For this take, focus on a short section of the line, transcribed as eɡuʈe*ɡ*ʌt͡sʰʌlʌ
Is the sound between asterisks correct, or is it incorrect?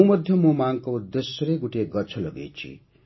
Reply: correct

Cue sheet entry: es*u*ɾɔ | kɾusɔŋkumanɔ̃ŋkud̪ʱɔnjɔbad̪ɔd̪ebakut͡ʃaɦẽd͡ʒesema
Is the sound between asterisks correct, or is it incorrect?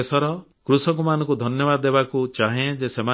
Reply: incorrect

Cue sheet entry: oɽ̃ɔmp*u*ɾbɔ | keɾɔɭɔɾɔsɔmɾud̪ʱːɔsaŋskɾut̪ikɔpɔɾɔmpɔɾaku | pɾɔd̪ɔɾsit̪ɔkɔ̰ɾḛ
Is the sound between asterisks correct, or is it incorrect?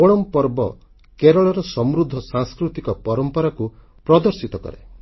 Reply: incorrect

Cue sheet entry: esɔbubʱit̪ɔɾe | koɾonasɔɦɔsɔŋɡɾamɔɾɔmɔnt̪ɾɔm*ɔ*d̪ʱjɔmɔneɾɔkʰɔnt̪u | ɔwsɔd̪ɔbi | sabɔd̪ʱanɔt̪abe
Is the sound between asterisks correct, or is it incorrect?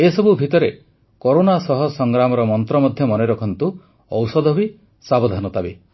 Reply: correct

